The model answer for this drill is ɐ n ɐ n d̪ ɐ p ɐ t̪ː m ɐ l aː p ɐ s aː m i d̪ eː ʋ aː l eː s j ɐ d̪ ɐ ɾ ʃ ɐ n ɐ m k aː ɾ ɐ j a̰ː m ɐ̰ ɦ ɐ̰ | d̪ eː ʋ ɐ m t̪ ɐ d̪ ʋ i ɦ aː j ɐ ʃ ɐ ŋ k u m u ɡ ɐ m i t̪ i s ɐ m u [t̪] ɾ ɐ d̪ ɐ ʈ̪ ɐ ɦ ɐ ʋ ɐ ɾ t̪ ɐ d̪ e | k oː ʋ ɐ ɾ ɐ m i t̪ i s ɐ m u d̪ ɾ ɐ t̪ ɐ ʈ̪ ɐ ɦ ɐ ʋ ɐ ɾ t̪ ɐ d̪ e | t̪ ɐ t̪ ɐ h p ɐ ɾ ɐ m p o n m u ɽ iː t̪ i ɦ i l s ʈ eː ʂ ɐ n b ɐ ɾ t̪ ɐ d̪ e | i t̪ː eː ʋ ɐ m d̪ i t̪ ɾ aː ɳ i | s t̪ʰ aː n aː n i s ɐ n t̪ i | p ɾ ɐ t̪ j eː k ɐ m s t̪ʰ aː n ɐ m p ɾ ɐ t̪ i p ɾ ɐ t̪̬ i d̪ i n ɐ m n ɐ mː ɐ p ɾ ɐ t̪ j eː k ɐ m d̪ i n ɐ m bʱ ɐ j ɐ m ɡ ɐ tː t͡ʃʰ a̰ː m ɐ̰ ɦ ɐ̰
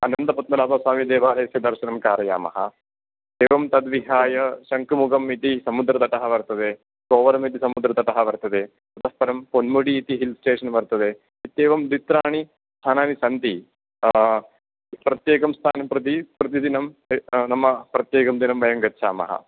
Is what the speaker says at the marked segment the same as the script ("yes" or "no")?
no